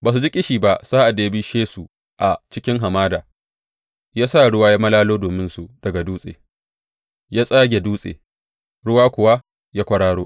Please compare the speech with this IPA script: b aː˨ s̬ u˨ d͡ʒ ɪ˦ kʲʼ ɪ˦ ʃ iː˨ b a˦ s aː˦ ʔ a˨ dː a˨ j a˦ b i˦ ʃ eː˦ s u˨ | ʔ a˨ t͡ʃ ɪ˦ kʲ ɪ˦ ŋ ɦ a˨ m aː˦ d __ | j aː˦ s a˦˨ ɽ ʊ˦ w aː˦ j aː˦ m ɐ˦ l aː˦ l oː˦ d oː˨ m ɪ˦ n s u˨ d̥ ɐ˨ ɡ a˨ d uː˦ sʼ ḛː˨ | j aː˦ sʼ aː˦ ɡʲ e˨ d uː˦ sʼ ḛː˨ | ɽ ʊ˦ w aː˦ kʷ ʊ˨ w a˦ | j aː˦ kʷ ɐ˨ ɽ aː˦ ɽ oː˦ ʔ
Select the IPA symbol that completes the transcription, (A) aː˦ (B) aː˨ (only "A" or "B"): B